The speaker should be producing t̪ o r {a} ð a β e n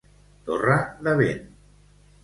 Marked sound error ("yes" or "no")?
no